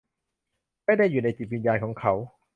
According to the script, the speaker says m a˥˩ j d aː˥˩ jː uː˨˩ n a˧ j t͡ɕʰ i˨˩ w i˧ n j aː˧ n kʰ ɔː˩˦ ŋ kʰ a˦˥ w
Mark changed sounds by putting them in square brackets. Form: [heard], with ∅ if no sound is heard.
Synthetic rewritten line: m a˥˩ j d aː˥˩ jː uː˨˩ n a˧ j [t͡ɕ] i˨˩ w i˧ n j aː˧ n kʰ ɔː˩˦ ŋ kʰ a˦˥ w